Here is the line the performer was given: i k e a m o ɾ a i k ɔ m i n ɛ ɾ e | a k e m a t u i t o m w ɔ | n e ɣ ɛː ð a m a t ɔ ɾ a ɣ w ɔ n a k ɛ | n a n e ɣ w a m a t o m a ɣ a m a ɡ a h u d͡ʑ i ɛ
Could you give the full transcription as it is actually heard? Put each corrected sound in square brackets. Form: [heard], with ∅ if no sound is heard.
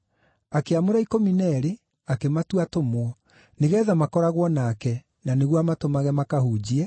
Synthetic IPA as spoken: [a] k e a m o ɾ a i k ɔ m i n ɛ ɾ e | a k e m a t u [a] t o m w ɔ | n e ɣ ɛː ð a m a [k] ɔ ɾ a ɣ w ɔ n a k ɛ | n a n e ɣ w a m a t o m a ɣ [ɛ] m a [k] a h u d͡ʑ i ɛ